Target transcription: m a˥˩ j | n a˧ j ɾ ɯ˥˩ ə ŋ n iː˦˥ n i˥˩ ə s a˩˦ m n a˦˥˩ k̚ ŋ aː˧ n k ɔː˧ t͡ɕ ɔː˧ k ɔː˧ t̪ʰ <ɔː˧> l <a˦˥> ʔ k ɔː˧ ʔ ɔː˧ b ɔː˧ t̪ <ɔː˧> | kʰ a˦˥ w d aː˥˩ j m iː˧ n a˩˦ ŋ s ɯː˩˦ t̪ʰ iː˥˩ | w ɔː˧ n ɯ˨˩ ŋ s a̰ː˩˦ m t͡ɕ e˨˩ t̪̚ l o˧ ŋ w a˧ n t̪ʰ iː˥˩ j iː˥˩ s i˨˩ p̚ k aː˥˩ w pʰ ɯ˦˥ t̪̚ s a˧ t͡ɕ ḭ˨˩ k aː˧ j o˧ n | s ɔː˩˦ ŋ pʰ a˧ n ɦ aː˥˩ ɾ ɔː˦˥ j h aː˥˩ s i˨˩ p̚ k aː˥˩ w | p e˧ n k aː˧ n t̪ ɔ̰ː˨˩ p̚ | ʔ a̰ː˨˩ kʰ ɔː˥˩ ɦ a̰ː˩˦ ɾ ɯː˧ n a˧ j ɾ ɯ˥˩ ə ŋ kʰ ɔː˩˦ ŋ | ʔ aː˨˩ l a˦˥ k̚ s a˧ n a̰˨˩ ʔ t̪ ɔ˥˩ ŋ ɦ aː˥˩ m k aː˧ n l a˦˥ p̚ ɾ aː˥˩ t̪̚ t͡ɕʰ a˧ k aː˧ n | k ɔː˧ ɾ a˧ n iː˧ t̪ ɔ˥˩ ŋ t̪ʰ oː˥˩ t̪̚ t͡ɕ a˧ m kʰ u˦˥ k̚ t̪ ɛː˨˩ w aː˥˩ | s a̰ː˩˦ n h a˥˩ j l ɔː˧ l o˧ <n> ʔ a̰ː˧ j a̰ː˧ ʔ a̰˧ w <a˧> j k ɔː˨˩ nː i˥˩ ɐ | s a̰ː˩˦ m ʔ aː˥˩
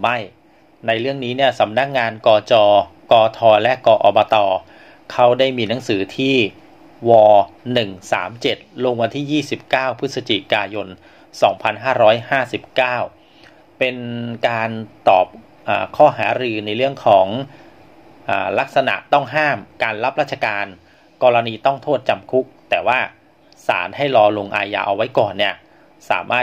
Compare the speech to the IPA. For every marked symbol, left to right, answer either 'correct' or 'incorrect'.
correct, incorrect: ɛ˦˥, correct, incorrect: ŋ, incorrect: a˦˥

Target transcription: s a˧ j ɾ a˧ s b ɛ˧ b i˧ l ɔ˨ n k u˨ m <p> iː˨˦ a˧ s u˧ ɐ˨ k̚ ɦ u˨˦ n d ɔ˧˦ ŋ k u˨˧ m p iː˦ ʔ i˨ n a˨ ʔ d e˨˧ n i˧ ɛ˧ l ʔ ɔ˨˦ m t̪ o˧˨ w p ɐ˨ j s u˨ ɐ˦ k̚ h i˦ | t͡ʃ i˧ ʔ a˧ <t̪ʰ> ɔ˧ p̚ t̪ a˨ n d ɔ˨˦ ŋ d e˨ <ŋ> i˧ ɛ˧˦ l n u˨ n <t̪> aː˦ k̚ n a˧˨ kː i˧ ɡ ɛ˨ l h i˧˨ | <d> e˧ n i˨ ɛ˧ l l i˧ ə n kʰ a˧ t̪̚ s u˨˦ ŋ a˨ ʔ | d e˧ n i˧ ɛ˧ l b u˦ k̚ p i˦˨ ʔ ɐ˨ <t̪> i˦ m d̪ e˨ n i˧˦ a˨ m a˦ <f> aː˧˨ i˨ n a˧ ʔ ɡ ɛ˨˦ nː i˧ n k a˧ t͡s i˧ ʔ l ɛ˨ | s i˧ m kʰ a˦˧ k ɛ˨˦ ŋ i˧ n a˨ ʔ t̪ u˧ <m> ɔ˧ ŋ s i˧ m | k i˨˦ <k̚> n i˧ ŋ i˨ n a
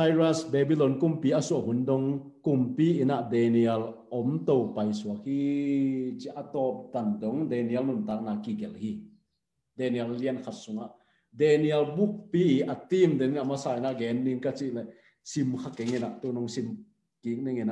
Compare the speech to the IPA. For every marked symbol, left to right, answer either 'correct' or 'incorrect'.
correct, incorrect: t̪, incorrect: n, correct, correct, correct, incorrect: s, incorrect: n, correct

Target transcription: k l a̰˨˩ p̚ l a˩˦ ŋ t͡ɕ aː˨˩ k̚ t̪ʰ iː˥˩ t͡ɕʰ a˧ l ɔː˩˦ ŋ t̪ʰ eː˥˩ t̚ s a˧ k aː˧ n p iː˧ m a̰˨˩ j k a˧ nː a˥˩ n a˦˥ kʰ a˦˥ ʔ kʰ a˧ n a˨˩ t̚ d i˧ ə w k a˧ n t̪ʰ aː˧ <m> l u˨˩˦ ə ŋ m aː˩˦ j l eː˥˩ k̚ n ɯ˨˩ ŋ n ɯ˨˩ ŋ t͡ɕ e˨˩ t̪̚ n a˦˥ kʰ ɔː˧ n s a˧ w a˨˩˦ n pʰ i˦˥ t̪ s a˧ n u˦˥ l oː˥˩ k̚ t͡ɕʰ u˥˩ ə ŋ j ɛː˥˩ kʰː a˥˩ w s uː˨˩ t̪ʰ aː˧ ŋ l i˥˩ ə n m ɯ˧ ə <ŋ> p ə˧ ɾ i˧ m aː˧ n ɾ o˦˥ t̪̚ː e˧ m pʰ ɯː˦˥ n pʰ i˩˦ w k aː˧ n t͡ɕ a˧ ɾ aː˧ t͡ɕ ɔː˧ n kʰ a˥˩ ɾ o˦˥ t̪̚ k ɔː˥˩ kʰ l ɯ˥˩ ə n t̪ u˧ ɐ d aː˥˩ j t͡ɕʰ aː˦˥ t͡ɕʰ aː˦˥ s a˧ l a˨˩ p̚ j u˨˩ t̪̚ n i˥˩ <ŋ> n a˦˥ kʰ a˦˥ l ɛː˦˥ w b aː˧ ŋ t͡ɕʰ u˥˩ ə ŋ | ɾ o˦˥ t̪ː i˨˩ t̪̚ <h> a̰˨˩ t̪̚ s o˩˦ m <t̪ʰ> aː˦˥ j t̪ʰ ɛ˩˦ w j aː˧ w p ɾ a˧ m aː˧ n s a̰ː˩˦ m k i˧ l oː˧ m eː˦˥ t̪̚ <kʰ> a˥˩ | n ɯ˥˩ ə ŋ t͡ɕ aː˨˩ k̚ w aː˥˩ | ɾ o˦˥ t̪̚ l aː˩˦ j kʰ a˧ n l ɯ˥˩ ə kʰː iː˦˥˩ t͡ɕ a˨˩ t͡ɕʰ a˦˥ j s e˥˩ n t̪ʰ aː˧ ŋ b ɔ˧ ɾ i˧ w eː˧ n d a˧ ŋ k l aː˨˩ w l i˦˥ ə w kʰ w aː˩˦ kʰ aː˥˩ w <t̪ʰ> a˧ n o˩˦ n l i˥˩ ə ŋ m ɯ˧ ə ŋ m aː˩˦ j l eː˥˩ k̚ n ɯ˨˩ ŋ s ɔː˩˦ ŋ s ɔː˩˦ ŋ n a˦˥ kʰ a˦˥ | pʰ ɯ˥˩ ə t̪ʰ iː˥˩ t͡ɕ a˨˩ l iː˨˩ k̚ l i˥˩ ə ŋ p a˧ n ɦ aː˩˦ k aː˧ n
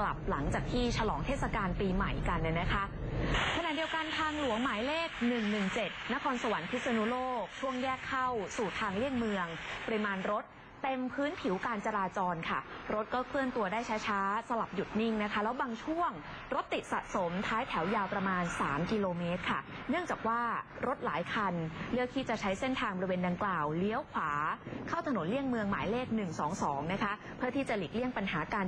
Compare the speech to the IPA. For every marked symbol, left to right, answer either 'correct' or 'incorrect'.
incorrect: ŋ, correct, correct, incorrect: s, correct, correct, correct

